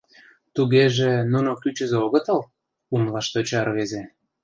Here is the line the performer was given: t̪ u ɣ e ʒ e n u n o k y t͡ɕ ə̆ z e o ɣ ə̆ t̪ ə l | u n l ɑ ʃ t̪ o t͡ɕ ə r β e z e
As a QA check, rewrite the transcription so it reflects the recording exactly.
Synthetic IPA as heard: t̪ u ɣ e ʒ e n u n o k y t͡ɕ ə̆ z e o ɣ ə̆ t̪ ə l | u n l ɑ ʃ t̪ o t͡ɕ ɑ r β e z e